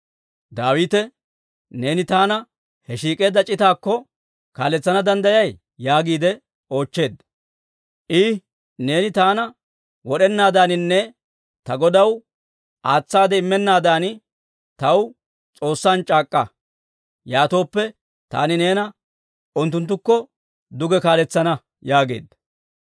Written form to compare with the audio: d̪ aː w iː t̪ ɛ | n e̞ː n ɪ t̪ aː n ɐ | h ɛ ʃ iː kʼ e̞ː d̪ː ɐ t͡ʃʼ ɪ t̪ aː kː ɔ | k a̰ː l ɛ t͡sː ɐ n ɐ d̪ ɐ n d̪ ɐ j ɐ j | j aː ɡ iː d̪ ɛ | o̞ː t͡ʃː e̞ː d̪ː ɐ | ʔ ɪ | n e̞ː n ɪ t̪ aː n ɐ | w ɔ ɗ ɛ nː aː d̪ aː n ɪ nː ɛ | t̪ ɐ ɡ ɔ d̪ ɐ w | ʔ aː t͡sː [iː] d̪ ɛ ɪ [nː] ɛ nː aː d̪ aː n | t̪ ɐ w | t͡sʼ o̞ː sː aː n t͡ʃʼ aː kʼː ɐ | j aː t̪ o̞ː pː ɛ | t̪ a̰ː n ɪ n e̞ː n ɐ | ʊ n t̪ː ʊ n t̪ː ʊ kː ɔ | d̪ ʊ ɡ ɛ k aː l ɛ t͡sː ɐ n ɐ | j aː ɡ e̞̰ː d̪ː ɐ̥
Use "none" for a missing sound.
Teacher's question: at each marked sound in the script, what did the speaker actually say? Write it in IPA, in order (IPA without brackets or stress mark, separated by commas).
aː, mː